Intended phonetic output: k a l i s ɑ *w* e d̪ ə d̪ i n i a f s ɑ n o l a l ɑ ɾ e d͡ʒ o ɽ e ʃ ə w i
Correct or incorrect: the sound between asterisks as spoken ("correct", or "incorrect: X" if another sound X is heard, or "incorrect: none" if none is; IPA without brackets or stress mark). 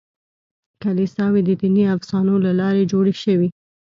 correct